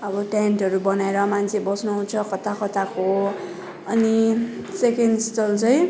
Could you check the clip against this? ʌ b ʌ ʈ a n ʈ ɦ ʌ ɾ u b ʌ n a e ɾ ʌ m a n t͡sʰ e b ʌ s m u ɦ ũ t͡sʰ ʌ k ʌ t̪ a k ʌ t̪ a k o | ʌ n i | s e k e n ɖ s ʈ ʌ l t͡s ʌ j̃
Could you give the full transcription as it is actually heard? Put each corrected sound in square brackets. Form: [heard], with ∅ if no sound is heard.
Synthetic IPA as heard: ʌ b ʌ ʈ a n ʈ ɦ ʌ ɾ u b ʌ n a e ɾ ʌ m a n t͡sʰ e b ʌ s [n] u ɦ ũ t͡sʰ ʌ k ʌ t̪ a k ʌ t̪ a k o | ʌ n i | s e k e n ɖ s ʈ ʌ l t͡s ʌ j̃

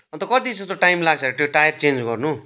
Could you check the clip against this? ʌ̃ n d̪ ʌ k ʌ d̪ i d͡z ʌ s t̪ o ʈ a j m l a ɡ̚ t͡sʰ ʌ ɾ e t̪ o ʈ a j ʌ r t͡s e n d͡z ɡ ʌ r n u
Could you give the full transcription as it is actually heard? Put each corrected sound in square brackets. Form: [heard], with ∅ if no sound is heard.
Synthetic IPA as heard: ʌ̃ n [t̪] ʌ k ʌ d̪ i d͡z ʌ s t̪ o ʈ a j m l a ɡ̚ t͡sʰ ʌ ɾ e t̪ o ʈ a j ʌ r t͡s e n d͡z ɡ ʌ r n u

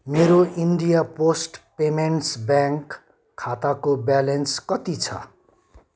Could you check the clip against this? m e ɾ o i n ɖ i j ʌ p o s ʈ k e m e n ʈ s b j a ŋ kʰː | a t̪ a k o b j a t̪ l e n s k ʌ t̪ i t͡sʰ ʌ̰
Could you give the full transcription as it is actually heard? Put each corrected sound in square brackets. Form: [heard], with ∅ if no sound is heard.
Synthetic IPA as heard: m e ɾ o i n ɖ i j [a] p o s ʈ [p] e m e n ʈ s b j a ŋ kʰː | a t̪ a k o b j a [∅] l e n s k ʌ t̪ i t͡sʰ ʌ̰

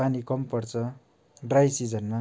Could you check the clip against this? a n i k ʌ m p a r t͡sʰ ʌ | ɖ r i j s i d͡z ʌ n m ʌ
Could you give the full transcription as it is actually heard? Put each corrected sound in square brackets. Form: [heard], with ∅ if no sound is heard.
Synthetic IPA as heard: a n i k ʌ m p [ʌ] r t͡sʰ ʌ | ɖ r [a] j s i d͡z ʌ n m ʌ

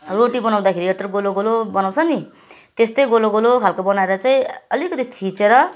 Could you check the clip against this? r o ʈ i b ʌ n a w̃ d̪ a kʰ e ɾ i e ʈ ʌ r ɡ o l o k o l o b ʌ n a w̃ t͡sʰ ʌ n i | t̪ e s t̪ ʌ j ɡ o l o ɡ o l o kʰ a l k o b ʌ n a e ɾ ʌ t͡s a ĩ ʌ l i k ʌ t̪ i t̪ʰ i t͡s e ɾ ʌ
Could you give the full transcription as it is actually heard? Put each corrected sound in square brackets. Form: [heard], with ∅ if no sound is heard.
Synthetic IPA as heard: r o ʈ i b ʌ n a w̃ d̪ a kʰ e ɾ i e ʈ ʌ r ɡ o l o [ɡ] o l o b ʌ n a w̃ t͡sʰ ʌ n i | t̪ e s t̪ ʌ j ɡ o l o ɡ o l o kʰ a l k o b ʌ n a e ɾ ʌ t͡s a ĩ ʌ l i k ʌ t̪ i t̪ʰ i t͡s e ɾ ʌ

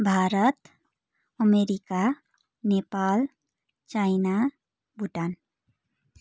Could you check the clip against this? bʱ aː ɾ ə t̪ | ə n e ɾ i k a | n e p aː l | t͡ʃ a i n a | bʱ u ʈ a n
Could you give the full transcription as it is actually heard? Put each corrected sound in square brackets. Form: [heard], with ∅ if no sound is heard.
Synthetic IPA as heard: bʱ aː ɾ ə t̪ | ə [m] e ɾ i k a | n e p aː l | t͡ʃ a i n a | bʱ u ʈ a n

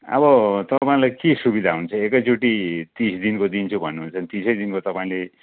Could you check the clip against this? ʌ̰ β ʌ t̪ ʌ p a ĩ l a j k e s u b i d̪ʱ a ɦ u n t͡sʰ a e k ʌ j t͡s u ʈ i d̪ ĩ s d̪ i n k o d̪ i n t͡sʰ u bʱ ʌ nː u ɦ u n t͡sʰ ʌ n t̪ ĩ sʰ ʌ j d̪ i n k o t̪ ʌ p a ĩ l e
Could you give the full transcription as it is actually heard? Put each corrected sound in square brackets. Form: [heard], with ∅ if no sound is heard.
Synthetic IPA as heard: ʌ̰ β ʌ t̪ ʌ p a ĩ l a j k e s u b i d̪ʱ a ɦ u n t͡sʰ [ʌ] e k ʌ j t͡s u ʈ i [t̪] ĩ s d̪ i n k o d̪ i n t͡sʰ u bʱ ʌ nː u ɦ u n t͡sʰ ʌ n t̪ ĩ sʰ ʌ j d̪ i n k o t̪ ʌ p a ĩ l e

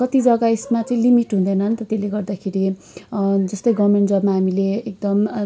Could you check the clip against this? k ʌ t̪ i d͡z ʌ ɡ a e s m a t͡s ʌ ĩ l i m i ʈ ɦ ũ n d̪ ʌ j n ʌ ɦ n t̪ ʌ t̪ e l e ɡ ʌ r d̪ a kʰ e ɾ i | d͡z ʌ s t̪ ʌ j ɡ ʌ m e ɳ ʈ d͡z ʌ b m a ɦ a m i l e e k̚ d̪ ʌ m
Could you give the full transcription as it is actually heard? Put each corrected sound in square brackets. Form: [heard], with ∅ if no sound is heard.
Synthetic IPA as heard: k ʌ t̪ i d͡z ʌ ɡ a e s m a t͡s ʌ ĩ l i m i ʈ ɦ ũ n d̪ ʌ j n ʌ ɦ n t̪ ʌ t̪ e l e ɡ ʌ r d̪ a kʰ e ɾ i | d͡z ʌ s t̪ ʌ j ɡ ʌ m e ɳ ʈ d͡z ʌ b m a ɦ a m i l e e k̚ d̪ ʌ m

